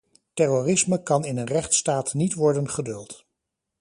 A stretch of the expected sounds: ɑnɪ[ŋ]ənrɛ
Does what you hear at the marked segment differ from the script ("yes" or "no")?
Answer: yes